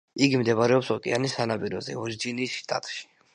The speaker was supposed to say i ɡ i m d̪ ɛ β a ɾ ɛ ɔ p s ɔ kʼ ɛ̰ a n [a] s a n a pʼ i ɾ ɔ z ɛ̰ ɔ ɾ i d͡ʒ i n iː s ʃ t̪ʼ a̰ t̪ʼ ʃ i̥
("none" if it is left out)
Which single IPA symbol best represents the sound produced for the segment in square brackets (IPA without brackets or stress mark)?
i